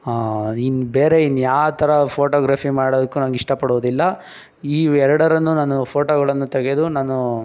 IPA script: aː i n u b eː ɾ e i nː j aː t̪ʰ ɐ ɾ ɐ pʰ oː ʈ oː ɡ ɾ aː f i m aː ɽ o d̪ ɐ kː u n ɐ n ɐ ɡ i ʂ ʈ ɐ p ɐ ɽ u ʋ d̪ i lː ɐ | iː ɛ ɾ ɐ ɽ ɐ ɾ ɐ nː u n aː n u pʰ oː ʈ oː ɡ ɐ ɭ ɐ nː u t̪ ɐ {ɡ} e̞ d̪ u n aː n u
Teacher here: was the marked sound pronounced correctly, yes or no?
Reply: yes